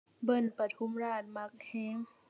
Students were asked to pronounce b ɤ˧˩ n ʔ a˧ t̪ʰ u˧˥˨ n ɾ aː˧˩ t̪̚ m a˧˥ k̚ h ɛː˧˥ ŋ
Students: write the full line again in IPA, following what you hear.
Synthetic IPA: b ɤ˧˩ n p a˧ t̪ʰ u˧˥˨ m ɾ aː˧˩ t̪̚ m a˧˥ k̚ h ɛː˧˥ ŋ